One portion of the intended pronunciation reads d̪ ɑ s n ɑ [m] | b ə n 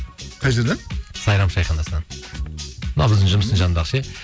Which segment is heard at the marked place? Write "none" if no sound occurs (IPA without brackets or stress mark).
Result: n